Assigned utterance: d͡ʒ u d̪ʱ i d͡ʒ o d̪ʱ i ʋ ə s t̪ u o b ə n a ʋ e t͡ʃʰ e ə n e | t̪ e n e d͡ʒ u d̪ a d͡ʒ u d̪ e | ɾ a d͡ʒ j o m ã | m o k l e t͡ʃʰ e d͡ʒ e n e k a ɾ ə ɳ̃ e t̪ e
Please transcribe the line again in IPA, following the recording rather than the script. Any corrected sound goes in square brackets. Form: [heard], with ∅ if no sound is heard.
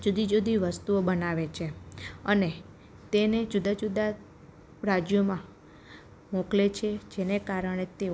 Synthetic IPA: d͡ʒ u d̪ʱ i d͡ʒ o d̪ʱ i ʋ ə s t̪ u o b ə n a ʋ e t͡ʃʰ e ə n e | t̪ e n e d͡ʒ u d̪ a d͡ʒ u d̪ [a] | ɾ a d͡ʒ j o m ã | m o k l e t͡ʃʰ e d͡ʒ e n e k a ɾ ə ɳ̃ e t̪ e